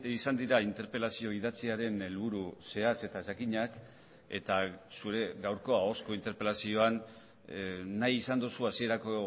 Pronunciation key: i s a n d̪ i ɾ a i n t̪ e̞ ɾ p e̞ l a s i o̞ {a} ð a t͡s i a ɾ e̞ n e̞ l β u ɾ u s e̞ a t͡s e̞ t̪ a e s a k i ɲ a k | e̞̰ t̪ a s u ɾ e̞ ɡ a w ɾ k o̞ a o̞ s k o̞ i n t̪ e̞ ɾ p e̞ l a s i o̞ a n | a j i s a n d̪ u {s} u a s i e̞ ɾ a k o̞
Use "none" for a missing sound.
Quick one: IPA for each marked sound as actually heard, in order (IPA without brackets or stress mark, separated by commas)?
i, s